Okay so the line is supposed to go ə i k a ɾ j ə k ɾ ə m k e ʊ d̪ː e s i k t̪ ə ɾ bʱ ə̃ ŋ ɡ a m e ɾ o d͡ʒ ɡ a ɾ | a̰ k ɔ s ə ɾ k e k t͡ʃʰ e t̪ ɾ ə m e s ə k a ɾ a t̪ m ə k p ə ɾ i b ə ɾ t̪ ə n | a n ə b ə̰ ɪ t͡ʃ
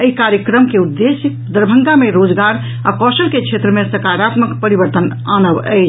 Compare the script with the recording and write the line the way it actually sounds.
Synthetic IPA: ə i k a ɾ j ə k ɾ ə m k e u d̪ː e s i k d̪ ə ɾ bʱ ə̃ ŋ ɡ a m e ɾ o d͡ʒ ɡ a ɾ | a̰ k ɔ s ə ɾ k e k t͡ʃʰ e t̪ ɾ ə m e s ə k a ɾ a t̪ m ə k p ə ɾ i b ə ɾ t̪ ə n | a n ə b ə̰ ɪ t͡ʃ

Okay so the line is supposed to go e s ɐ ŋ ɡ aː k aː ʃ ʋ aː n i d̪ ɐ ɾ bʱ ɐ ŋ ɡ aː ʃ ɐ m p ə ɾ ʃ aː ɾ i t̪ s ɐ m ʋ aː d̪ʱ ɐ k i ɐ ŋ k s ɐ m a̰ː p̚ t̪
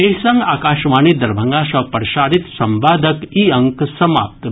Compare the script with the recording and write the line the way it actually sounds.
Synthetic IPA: e s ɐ ŋ ɡ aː k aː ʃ ʋ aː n i d̪ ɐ ɾ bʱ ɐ ŋ ɡ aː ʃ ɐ p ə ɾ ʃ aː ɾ i t̪ s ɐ m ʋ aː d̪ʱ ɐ k i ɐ ŋ k s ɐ m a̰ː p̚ t̪

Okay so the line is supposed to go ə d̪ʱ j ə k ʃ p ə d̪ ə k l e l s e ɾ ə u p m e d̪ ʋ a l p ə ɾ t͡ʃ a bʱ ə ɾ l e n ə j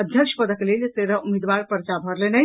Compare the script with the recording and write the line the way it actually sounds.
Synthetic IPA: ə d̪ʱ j ə k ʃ p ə d̪ ə k l e l s e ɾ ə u m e d̪ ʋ a ɾ p ə ɾ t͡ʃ a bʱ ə ɾ l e n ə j

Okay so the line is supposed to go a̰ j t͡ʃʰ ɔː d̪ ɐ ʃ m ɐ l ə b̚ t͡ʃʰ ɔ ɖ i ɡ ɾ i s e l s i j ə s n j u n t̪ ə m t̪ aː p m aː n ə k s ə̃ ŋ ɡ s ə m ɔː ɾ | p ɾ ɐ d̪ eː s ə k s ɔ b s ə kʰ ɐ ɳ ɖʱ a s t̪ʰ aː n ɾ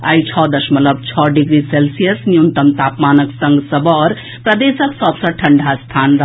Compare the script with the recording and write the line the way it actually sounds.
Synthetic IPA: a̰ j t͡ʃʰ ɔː d̪ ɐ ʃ m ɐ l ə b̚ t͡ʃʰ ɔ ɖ i ɡ ɾ i s e l s i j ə s n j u n t̪ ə m t̪ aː p m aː n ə k s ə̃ ŋ ɡ s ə b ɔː ɾ | p ɾ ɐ d̪ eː s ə k s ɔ b s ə ʈʰ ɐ ɳ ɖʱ a s t̪ʰ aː n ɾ

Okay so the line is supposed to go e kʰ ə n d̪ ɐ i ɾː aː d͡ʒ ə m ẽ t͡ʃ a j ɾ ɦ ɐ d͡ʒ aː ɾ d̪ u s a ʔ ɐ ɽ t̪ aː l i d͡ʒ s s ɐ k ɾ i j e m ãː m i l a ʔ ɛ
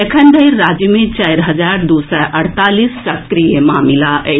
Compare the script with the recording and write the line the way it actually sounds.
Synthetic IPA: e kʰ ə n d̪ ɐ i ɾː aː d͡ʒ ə m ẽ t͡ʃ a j ɾ ɦ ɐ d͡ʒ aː ɾ d̪ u s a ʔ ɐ ɽ t̪ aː l i s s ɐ k ɾ i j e m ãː m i l a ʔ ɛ

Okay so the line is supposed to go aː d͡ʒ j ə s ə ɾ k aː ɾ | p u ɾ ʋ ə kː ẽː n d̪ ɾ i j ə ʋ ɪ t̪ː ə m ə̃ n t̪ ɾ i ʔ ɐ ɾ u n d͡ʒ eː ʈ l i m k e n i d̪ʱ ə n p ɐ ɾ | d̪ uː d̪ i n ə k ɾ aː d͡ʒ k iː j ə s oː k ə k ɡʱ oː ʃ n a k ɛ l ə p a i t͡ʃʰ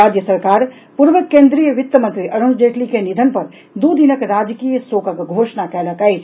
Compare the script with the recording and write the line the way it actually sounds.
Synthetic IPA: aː d͡ʒ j ə s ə ɾ k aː ɾ | p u ɾ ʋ ə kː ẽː n d̪ ɾ i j ə ʋ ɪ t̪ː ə m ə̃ n t̪ ɾ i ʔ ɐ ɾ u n d͡ʒ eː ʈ l i k e n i d̪ʱ ə n p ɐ ɾ | d̪ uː d̪ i n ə k ɾ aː d͡ʒ k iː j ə s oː k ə k ɡʱ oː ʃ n a k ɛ l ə k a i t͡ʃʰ

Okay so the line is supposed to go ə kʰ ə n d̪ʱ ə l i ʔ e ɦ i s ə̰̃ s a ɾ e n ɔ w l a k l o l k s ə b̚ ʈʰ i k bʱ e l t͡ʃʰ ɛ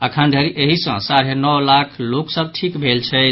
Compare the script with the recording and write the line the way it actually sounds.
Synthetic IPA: ə kʰ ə n d̪ʱ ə ɾ i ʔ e ɦ i s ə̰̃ s a ɾ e n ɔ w l a kʰ l o k s ə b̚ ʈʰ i k bʱ e l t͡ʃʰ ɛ

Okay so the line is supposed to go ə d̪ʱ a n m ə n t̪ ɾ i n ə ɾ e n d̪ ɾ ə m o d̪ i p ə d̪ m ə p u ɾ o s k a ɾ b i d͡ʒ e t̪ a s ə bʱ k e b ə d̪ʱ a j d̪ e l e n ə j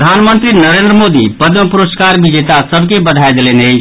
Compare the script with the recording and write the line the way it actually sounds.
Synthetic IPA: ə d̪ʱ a n m ə n t̪ ɾ i n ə ɾ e n d̪ ɾ ə m o d̪ i p ə d̪ m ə p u ɾ o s k a ɾ b i d͡ʒ e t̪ a s ə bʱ k e b ə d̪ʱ a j d̪ e l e n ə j

